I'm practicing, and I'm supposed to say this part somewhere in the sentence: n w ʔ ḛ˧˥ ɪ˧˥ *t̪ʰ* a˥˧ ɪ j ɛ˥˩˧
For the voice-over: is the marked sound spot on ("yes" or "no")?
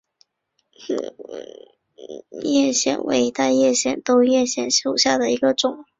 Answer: no